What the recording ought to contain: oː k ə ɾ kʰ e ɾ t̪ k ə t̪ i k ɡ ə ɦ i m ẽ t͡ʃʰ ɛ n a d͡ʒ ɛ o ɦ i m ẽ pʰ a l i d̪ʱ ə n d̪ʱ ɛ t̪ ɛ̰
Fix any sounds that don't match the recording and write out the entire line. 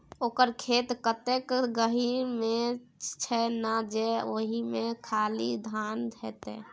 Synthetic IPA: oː k ə ɾ kʰ e t̪ k ə t̪ e k ɡ ə ɦ i m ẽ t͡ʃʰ ɛ n a d͡ʒ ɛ o ɦ i m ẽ kʰ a l i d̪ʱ a n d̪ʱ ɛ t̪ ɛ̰